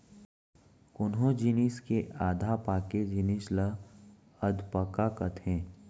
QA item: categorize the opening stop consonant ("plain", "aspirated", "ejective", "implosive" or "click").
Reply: plain